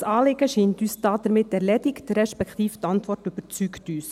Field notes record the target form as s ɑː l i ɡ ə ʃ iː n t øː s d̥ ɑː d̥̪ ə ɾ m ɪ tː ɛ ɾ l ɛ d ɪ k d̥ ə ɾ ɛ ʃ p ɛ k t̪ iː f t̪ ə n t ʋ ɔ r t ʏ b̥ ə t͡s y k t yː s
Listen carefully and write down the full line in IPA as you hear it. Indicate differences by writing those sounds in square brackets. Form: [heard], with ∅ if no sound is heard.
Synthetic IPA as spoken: s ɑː l [ɪ] ɡ ə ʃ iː n t [yː] s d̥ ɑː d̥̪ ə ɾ m ɪ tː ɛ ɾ l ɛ d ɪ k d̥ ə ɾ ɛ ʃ p ɛ k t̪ iː f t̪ [ɑ] n t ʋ ɔ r t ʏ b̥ ə t͡s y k t yː s